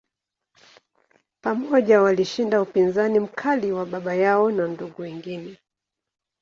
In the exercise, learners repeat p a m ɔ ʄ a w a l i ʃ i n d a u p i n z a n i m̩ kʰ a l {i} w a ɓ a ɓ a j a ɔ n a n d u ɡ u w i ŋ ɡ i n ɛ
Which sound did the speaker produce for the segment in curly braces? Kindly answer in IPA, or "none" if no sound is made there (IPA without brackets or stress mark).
i